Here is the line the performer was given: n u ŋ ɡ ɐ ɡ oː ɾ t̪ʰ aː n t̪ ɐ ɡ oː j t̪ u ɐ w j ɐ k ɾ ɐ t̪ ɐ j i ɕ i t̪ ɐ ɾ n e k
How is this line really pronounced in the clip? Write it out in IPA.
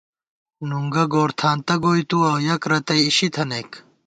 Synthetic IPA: n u ŋ ɡ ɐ ɡ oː ɾ t̪ʰ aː n t̪ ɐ ɡ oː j t̪ u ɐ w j ɐ k ɾ ɐ t̪ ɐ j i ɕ i t̪ʰ ɐ n e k